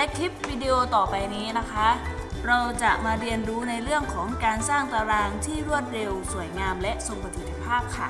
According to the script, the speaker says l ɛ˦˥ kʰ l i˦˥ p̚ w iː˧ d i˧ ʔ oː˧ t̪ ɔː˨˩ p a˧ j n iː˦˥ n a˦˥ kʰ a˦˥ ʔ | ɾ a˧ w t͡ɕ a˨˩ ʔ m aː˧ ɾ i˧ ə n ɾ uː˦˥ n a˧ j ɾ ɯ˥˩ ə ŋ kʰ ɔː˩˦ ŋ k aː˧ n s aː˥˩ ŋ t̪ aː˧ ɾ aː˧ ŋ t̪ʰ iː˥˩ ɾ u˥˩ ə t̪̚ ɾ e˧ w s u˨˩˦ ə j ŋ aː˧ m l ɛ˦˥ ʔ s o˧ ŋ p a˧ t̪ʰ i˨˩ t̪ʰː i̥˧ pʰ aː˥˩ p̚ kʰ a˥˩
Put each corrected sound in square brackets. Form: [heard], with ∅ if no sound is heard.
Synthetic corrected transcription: l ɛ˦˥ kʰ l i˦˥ p̚ w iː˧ d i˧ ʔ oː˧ t̪ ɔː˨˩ p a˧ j n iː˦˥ n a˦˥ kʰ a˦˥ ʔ | ɾ a˧ w t͡ɕ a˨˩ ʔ m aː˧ ɾ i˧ ə n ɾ uː˦˥ n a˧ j ɾ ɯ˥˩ ə ŋ kʰ ɔː˩˦ ŋ k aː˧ n s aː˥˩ ŋ t̪ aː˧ ɾ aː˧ ŋ t̪ʰ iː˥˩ ɾ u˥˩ ə t̪̚ ɾ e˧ w s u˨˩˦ ə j ŋ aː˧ m l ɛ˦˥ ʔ s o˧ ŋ p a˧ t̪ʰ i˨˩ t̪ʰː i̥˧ pʰ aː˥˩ p̚ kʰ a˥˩